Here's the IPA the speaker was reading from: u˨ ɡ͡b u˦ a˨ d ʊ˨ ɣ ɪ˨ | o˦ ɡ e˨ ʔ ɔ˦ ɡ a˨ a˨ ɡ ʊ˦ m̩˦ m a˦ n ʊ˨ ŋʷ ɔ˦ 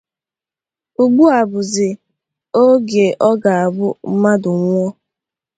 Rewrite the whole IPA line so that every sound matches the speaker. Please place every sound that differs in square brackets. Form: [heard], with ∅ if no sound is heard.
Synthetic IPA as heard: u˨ ɡ͡b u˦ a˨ [b] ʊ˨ [z] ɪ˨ | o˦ ɡ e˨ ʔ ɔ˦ ɡ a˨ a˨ [b] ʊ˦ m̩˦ m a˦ [d] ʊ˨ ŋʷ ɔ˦

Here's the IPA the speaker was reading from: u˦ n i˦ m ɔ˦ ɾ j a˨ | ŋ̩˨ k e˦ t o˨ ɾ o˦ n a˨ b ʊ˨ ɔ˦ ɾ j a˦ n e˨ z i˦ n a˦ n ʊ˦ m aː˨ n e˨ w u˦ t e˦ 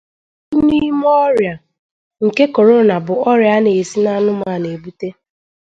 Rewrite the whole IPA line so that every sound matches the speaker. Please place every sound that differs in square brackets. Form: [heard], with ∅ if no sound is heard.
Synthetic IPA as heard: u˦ n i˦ m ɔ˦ ɾ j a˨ | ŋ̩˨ k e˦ [k] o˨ ɾ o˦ n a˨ b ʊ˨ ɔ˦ ɾ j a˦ n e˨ [s] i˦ n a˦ n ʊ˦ m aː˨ n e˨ [b] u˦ t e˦

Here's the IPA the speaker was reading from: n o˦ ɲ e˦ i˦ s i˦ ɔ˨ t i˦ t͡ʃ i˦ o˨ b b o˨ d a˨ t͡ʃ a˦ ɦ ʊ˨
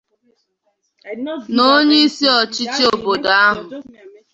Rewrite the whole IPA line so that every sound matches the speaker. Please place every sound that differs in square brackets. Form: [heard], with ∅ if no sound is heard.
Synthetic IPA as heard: n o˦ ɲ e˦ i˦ s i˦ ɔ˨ [t͡ʃ] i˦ t͡ʃ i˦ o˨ b b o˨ d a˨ [∅] a˦ ɦ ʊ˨

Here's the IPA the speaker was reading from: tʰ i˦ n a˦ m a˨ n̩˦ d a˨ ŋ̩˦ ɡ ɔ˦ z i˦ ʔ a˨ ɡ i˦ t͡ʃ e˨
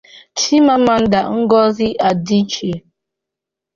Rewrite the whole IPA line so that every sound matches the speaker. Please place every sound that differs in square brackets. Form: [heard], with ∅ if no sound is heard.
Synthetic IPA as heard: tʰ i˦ [m] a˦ m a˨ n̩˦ d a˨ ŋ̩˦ ɡ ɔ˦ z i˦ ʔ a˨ [d] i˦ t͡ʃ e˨

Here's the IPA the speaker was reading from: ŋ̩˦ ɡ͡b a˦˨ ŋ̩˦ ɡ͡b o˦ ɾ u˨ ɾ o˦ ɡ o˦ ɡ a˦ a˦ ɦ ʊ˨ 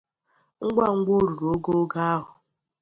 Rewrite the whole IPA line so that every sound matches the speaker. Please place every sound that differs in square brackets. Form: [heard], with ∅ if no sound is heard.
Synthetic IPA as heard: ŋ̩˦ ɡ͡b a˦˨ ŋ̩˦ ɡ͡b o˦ ɾ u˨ ɾ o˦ ɡ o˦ ɡ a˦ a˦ ɦ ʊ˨

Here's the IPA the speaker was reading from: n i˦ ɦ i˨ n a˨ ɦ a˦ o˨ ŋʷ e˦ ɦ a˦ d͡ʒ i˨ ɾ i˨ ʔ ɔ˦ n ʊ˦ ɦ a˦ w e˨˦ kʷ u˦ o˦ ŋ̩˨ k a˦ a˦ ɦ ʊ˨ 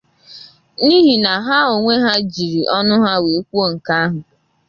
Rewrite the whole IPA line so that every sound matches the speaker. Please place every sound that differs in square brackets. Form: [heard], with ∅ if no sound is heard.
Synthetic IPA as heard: n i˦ ɦ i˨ n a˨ ɦ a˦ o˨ ŋʷ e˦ ɦ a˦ d͡ʒ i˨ ɾ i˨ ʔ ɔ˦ n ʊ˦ ɦ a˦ w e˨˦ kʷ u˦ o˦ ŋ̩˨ k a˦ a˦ ɦ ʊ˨

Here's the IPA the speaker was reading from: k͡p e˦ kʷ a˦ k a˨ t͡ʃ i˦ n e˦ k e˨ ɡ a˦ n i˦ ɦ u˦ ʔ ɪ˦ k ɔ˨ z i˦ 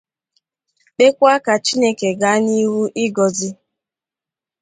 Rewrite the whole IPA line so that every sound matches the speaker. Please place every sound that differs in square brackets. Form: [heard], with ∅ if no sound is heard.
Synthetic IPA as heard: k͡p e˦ kʷ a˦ k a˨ t͡ʃ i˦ n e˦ k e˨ ɡ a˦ n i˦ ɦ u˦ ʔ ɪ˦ [ɡ] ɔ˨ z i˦

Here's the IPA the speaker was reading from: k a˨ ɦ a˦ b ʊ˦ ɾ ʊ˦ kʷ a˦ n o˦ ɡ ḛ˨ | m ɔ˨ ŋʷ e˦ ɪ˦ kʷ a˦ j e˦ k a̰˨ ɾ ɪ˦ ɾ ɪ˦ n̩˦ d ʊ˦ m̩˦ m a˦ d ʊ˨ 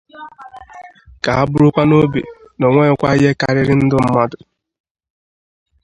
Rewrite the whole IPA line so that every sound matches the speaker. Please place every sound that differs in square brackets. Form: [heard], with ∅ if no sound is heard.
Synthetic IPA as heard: k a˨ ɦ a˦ b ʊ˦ ɾ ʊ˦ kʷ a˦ n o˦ [b] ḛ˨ | [n] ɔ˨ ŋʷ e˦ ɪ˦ kʷ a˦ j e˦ k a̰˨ ɾ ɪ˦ ɾ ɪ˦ n̩˦ d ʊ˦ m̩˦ m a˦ d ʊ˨

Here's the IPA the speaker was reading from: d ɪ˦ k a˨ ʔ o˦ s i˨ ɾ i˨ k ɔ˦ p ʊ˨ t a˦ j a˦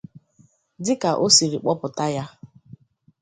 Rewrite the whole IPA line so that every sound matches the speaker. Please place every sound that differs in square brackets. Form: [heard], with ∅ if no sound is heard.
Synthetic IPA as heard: d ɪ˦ k a˨ ʔ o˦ s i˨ ɾ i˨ [k͡p] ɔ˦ p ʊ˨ t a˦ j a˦

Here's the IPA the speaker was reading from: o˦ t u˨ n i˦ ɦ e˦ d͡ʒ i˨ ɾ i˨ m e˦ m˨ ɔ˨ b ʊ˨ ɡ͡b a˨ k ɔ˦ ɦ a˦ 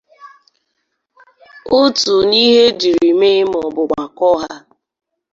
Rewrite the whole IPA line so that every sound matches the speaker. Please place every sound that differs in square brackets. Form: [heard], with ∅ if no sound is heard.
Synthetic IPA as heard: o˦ t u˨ n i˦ ɦ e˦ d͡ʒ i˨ ɾ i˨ m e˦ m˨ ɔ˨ b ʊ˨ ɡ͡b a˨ k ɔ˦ ɦ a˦

